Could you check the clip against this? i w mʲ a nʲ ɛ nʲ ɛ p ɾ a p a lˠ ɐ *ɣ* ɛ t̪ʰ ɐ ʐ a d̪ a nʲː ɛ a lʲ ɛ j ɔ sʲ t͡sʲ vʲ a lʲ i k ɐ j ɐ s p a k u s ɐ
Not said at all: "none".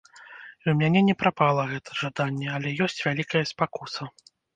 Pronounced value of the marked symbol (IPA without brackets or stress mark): ɣ